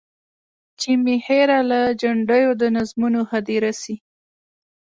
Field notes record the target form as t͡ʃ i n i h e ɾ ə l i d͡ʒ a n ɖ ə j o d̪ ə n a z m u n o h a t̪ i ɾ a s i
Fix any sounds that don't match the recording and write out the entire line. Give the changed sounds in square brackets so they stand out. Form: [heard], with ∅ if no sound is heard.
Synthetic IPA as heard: t͡ʃ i [m] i h e ɾ [a] l [a] d͡ʒ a [ɳ] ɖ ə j o d̪ ə n a z m u n o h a [d̪] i ɾ a s i